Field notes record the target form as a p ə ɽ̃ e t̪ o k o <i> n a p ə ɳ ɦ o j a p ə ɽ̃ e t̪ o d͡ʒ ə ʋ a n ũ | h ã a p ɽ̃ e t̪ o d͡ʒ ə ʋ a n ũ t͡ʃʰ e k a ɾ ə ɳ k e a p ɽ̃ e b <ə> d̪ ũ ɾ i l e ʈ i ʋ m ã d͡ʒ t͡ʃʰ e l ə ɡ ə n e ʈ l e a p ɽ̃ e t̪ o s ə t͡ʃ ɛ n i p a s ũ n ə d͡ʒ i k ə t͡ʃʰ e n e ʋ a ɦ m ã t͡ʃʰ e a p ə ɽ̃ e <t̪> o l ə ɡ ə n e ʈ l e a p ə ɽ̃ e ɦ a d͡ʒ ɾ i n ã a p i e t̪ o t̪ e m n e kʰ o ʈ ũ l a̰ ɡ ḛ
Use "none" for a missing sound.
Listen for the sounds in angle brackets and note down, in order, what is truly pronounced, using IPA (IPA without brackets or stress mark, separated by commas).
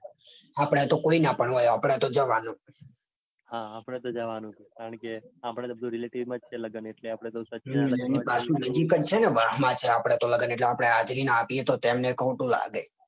i, ə, t̪